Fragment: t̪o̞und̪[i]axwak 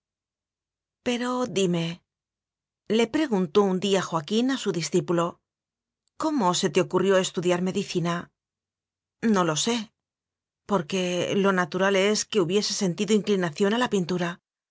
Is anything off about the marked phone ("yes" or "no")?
no